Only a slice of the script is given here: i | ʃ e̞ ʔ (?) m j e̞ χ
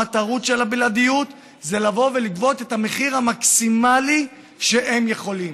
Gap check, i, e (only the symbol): e